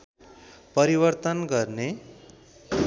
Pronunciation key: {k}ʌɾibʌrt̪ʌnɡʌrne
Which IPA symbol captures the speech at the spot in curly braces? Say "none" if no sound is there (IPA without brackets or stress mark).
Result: p